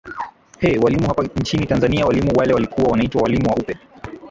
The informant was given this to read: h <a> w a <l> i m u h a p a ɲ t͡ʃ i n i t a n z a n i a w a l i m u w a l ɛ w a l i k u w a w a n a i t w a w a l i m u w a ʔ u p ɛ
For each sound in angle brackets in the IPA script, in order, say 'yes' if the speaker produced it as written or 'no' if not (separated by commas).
no, yes